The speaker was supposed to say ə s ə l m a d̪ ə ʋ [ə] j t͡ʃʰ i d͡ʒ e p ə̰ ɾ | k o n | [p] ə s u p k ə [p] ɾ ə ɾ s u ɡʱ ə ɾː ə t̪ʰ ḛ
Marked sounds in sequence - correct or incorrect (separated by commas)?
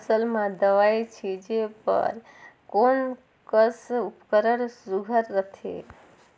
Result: incorrect, incorrect, incorrect